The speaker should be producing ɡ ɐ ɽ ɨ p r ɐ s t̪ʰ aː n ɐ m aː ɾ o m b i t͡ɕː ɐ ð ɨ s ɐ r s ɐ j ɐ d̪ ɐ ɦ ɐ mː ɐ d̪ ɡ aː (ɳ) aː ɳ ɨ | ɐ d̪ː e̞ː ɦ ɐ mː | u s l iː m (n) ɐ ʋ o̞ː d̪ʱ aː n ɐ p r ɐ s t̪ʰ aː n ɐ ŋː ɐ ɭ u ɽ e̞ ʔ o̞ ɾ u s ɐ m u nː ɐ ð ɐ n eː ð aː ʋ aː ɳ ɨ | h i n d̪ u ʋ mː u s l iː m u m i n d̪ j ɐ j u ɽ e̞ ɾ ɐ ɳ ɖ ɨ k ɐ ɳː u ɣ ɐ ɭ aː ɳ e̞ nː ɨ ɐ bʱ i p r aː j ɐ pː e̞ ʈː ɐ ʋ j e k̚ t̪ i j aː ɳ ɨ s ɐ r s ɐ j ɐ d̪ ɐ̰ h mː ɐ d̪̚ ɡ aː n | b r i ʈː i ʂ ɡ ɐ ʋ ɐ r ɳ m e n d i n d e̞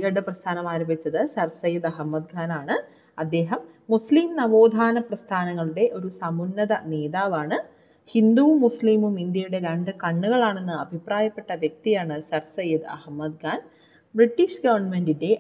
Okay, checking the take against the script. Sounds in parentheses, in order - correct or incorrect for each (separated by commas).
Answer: incorrect, correct